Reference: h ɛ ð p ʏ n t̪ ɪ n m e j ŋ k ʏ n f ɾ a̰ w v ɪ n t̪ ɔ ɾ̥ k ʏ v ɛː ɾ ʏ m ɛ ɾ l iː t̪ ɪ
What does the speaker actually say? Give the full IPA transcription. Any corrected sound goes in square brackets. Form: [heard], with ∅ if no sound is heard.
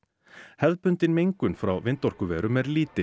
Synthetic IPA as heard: h ɛ ð p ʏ n t̪ ɪ n m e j ŋ k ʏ n f ɾ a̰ w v ɪ n t̪ ɔ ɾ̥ k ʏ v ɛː ɾ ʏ m ɛ ɾ l iː t̪ ɪ